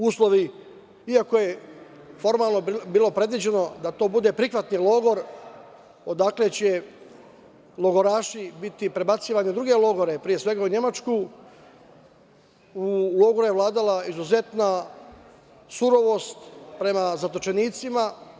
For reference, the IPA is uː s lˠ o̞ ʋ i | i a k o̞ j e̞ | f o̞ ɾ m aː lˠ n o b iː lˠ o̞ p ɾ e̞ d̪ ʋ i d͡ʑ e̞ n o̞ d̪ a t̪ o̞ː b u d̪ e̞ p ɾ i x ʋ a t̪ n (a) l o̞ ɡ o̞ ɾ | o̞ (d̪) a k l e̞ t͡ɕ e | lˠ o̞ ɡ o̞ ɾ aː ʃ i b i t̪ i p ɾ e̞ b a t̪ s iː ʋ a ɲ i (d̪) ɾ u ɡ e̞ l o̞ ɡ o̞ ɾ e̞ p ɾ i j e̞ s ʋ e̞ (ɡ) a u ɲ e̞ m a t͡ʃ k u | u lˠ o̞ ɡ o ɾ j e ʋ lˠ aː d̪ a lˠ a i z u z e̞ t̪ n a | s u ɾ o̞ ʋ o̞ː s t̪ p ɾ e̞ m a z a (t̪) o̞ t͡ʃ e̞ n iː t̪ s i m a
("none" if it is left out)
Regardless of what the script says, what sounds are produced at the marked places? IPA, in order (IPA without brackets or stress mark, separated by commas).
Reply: i, d̪, d̪, ɡ, t̪